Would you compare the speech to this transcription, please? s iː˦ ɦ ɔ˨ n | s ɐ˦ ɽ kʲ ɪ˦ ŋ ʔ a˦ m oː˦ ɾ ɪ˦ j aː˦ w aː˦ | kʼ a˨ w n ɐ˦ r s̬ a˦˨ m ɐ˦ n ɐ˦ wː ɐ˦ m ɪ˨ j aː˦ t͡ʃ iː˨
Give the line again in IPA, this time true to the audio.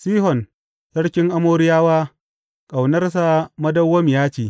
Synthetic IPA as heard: s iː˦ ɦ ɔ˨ n | s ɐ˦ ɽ kʲ ɪ˦ ŋ ʔ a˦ m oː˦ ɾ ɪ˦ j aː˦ w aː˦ | kʼ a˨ w n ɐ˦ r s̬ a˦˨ m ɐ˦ d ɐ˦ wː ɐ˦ m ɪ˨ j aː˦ t͡ʃ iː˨